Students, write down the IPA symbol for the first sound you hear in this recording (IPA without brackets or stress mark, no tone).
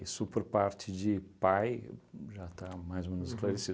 i